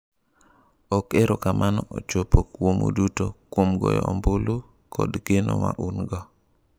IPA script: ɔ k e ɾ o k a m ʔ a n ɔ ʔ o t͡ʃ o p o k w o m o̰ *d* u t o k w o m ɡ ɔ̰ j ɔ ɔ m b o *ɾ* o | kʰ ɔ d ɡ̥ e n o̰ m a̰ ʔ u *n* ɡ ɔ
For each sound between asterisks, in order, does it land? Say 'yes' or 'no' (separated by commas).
yes, no, yes